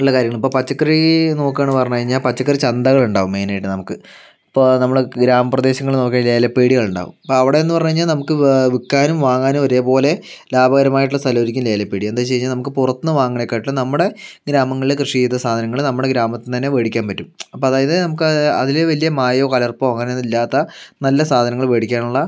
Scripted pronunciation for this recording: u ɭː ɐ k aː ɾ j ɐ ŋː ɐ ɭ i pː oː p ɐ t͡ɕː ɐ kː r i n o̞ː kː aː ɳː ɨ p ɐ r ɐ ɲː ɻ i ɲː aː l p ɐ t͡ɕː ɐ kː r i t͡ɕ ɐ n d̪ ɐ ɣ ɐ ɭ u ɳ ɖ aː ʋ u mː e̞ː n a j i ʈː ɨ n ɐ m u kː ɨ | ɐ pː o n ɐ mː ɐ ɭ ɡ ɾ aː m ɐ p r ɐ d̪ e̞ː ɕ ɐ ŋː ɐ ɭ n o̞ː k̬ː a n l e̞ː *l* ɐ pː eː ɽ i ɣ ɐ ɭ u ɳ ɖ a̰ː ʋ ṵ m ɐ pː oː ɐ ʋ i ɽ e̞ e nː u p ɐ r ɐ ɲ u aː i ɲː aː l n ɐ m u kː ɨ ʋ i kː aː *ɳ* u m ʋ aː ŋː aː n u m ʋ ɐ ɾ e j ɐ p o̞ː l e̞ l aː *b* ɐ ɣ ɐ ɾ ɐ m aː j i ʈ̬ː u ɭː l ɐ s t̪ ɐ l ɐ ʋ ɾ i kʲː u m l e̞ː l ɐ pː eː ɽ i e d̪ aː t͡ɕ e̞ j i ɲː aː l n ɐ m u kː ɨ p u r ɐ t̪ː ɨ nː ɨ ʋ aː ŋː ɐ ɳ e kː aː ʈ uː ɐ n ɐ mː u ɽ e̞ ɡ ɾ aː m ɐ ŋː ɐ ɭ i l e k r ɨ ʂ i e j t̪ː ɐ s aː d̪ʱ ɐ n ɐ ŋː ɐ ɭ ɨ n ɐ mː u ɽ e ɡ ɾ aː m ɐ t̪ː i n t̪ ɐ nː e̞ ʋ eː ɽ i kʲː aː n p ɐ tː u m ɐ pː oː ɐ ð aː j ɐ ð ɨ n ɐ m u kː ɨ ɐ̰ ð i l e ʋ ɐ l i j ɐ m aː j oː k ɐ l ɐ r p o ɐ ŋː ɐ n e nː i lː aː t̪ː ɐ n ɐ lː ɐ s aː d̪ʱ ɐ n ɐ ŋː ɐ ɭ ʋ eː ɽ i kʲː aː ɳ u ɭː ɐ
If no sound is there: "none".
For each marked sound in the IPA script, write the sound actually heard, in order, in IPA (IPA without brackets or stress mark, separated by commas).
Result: l, n, b